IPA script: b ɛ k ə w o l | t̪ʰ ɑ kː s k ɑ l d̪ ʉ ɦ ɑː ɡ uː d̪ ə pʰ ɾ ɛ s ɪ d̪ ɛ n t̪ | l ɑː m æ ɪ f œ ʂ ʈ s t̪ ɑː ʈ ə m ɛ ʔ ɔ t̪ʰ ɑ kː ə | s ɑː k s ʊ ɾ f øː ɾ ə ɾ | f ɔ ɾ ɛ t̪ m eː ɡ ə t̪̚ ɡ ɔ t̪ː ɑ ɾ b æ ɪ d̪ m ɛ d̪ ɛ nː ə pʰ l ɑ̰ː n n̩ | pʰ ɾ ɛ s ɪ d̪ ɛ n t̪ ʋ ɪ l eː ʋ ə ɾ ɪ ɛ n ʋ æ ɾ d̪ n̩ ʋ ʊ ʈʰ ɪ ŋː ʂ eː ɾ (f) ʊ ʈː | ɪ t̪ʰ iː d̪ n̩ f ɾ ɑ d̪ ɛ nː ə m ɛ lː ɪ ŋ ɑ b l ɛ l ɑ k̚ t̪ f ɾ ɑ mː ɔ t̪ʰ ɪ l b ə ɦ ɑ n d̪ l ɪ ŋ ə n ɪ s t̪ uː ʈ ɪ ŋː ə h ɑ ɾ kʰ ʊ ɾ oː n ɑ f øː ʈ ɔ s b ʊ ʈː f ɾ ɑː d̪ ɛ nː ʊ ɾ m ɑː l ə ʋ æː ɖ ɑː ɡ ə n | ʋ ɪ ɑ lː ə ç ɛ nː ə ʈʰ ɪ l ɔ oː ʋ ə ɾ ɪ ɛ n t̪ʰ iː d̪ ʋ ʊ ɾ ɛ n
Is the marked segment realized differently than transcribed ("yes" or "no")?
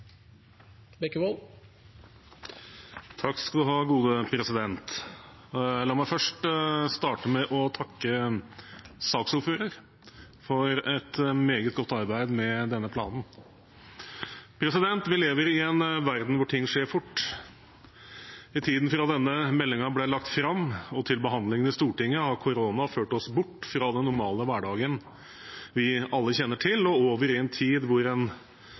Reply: no